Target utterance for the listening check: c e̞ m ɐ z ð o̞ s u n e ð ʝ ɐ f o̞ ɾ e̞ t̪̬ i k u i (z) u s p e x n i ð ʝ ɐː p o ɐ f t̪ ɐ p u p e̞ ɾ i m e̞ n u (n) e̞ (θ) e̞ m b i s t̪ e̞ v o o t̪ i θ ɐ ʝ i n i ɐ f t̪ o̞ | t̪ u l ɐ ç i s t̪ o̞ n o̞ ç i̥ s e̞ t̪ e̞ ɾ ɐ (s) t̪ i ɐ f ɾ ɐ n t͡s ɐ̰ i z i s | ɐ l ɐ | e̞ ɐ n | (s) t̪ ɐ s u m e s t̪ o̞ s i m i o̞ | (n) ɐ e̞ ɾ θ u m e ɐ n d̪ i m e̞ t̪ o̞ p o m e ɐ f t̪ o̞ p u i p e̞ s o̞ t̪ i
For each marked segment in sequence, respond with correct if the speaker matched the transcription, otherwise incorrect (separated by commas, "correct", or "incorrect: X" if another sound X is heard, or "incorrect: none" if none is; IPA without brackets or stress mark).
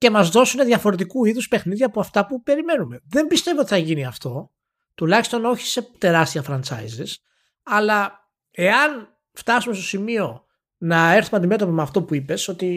incorrect: ð, incorrect: m, incorrect: ð, correct, incorrect: f, correct